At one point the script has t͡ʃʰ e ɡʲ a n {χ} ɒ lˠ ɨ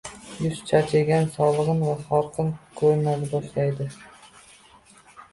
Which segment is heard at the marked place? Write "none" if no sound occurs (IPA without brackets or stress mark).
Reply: s